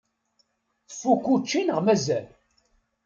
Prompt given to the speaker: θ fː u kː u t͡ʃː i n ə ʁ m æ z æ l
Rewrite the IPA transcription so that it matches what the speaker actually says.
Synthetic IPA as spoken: θ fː u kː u t͡ʃː i n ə ʁ m æ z æ l